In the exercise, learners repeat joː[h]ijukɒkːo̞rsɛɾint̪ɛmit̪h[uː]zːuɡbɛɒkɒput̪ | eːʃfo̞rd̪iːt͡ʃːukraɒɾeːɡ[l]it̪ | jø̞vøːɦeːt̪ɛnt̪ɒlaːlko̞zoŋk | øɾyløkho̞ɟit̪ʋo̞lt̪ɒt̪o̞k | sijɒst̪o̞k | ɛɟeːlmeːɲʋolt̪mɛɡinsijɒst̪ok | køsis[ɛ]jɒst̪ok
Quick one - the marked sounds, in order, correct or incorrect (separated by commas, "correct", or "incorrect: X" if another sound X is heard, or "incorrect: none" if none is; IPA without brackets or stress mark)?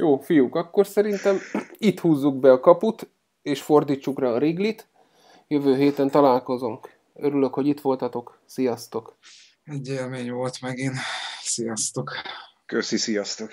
incorrect: f, correct, correct, incorrect: i